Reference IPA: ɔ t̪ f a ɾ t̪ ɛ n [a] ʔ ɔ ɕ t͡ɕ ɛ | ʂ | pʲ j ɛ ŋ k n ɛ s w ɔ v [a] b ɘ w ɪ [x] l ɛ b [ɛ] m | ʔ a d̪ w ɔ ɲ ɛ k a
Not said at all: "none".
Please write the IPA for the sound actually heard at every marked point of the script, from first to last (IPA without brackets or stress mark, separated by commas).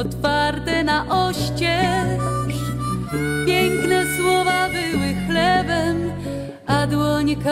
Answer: a, a, x, ɛ